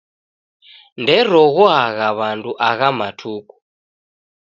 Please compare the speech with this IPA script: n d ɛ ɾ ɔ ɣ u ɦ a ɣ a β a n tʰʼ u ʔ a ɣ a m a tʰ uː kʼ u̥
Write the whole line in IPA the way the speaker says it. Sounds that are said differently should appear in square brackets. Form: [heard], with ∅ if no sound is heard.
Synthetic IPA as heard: n d ɛ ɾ ɔ ɣ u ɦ a ɣ a β a n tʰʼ u ʔ a ɣ a m a tʰ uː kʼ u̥